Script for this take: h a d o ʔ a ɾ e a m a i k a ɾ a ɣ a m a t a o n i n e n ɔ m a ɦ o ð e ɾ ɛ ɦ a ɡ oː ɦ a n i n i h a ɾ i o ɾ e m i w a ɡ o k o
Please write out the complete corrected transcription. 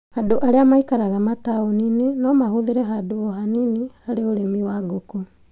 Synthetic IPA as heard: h a d o ʔ a ɾ e a m a i k a ɾ a ɣ a m a t a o n i n e n ɔ m a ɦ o ð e ɾ ɛ ɦ a d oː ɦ a n i n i h a ɾ e o ɾ e m i w a ɡ o k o